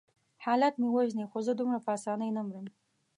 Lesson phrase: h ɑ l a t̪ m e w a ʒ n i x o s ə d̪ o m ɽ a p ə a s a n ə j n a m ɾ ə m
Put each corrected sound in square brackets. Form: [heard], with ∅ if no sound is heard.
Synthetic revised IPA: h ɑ l a t̪ m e w a ʒ n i x o [z] ə d̪ [u] m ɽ a p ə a s [ɑ] n ə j n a m ɾ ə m